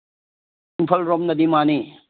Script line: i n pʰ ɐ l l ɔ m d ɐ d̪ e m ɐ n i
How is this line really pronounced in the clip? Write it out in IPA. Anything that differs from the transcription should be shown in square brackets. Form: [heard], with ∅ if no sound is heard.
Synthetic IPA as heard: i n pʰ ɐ l [ɾ] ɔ m [n] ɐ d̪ [i] m [a] n i